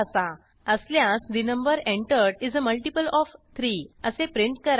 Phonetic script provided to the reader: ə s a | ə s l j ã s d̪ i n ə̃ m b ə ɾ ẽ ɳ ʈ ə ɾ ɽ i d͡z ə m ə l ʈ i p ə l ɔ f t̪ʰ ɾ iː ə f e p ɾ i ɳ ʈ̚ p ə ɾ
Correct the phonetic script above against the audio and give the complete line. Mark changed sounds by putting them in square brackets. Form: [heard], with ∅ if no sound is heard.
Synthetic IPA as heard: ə s a | ə s l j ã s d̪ i n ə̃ m b ə ɾ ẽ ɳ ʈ ə ɾ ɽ i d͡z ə m ə l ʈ i p ə l ɔ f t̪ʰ ɾ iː ə [s] e p ɾ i ɳ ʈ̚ [k] ə ɾ